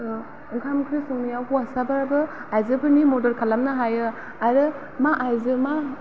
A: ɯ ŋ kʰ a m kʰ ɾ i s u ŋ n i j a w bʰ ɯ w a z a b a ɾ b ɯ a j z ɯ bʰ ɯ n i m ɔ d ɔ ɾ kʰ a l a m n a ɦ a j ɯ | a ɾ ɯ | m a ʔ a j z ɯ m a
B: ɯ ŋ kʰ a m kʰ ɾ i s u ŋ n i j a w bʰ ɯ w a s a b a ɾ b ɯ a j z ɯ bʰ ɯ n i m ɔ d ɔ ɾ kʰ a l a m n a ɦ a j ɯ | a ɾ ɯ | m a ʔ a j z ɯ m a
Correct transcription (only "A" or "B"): B